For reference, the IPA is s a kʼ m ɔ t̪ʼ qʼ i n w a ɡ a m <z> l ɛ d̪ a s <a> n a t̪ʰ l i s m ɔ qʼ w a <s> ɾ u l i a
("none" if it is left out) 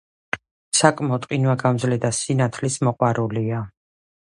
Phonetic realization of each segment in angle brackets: z, i, none

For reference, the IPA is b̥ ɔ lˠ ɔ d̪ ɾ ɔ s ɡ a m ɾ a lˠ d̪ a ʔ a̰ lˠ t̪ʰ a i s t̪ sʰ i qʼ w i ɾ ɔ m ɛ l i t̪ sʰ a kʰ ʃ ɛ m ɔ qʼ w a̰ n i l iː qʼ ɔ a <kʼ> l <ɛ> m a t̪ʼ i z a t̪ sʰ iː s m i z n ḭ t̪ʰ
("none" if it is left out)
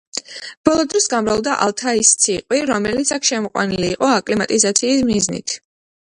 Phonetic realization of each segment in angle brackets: kʼ, i

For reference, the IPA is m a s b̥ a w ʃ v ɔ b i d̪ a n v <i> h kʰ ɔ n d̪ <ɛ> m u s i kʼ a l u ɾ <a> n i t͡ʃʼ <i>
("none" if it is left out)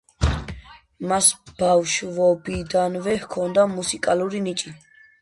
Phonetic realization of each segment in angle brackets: ɛ, a, i, i

